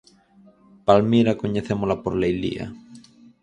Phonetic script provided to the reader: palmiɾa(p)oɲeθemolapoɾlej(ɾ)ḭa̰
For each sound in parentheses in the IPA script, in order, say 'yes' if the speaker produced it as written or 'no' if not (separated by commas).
no, no